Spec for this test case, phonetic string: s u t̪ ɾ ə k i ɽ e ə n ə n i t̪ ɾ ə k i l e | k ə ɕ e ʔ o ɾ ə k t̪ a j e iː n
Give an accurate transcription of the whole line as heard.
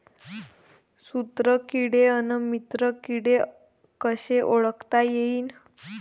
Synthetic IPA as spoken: s u t̪ ɾ ə k i ɽ e ə n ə m i t̪ ɾ ə k i ɽ e | k ə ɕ e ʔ o ɭ ə k t̪ a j e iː n